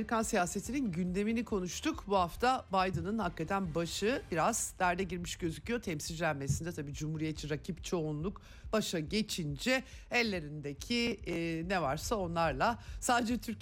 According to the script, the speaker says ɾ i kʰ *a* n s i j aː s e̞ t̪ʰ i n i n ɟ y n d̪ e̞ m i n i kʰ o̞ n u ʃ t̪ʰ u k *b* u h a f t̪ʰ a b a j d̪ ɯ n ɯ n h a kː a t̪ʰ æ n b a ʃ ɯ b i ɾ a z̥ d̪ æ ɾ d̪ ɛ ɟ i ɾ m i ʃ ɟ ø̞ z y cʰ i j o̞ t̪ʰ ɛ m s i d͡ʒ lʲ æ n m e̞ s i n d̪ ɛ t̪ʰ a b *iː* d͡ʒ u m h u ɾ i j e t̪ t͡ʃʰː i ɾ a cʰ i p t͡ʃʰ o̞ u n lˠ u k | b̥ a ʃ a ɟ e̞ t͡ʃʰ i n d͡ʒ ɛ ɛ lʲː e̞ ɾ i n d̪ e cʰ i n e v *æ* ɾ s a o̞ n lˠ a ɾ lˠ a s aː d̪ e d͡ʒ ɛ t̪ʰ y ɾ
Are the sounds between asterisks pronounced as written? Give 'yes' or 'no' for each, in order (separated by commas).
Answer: yes, yes, yes, no